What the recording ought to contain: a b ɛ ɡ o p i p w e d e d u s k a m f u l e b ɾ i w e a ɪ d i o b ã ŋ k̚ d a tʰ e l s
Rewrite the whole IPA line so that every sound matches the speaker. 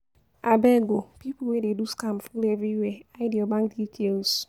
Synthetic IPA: a b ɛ ɡ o p i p w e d e d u s k a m f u l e v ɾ i w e a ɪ d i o b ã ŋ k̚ d i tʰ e l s